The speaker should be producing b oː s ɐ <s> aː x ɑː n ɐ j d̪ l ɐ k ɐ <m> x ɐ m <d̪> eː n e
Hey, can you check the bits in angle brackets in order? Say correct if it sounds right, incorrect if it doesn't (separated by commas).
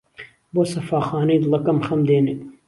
incorrect, correct, correct